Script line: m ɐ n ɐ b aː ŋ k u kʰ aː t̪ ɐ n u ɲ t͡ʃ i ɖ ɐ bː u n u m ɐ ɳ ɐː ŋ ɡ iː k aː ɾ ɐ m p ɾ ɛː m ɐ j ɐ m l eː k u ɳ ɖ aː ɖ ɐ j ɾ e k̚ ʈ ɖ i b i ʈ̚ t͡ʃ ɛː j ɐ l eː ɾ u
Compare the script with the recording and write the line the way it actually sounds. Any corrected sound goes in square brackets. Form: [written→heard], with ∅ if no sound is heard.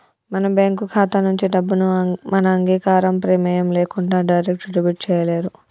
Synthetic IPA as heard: m ɐ n ɐ b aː ŋ k u kʰ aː t̪ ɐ n u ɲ t͡ʃ i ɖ ɐ bː u n u m ɐ [ɳ→n] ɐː ŋ ɡ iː k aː ɾ ɐ m p ɾ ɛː m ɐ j ɐ m l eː k u ɳ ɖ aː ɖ ɐ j ɾ e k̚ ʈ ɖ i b i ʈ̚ t͡ʃ ɛː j ɐ l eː ɾ u